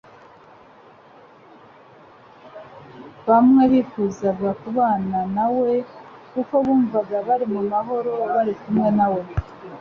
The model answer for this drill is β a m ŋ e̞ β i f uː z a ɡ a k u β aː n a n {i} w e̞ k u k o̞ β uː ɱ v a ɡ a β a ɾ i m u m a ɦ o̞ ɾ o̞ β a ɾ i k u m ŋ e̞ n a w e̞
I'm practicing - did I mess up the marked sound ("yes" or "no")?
yes